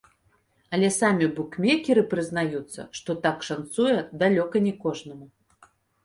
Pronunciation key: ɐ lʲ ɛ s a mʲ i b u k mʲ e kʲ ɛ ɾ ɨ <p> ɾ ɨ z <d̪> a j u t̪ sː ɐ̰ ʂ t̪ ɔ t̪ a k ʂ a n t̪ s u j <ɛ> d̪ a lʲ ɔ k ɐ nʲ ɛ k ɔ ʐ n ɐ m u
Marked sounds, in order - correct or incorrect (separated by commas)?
correct, incorrect, correct